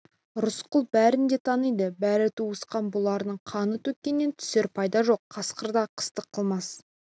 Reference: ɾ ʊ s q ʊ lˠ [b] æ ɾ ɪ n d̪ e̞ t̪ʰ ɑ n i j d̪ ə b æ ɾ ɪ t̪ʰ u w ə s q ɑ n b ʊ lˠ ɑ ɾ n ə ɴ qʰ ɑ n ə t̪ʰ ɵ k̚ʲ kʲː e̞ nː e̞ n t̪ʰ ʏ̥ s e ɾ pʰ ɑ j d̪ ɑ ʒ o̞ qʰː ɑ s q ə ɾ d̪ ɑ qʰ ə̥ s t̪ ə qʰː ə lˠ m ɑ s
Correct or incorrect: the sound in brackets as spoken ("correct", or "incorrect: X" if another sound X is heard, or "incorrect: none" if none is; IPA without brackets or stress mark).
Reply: correct